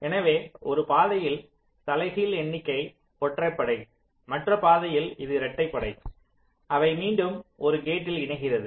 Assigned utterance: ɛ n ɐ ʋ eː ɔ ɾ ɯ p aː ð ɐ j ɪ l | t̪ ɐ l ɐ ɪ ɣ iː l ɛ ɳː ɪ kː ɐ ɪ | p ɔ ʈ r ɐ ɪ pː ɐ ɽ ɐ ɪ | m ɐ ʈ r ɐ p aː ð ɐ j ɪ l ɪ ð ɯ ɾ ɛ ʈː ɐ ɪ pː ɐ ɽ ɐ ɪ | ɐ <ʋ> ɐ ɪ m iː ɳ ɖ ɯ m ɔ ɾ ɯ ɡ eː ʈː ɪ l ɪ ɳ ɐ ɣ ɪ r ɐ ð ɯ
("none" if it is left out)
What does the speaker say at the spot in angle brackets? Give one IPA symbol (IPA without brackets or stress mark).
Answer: ʋ